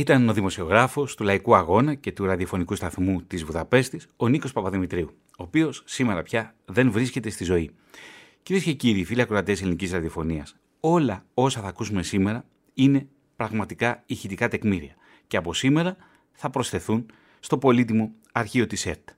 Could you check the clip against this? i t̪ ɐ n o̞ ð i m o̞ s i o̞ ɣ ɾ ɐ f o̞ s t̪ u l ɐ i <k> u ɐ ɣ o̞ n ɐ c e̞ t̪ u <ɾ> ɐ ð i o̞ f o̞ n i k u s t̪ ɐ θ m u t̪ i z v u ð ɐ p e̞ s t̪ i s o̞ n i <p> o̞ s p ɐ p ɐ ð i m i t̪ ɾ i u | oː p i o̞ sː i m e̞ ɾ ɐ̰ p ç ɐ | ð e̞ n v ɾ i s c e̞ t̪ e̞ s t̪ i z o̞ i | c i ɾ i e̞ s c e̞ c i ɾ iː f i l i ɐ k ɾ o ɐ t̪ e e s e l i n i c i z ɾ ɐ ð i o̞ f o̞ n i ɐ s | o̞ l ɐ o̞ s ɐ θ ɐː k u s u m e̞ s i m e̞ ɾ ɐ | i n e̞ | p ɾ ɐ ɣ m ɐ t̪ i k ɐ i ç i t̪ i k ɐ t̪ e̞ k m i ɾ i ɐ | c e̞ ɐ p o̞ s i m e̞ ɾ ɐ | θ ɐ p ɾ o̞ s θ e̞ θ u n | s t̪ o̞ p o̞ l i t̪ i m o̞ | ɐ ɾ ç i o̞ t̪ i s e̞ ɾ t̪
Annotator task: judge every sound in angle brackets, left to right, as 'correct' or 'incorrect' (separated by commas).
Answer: correct, correct, incorrect